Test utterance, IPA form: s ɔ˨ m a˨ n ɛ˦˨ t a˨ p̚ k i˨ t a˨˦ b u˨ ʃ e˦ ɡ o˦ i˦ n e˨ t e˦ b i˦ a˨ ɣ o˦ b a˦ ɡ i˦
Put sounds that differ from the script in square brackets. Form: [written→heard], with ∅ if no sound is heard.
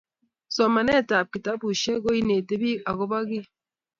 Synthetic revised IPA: s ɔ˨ m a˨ n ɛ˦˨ t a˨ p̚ k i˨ t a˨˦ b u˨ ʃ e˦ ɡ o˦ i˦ n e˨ t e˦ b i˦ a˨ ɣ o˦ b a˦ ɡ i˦